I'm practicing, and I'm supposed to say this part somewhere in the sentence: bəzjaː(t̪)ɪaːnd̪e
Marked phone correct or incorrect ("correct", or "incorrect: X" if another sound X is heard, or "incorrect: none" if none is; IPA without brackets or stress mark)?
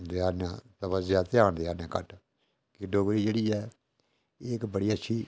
correct